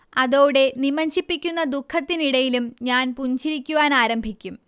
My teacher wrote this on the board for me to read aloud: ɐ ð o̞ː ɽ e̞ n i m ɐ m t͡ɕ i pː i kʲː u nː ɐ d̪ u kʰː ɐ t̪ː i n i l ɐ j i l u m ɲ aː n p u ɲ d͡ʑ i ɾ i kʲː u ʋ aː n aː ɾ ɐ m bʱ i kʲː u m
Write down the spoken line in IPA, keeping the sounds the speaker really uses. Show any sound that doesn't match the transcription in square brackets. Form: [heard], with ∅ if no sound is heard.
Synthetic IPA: ɐ ð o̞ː ɽ e̞ n i m ɐ [ɲ] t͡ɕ i pː i kʲː u nː ɐ d̪ u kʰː ɐ t̪ː i n i [ɽ] ɐ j i l u m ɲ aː n p u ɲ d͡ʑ i ɾ i kʲː u ʋ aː n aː ɾ ɐ m bʱ i kʲː u m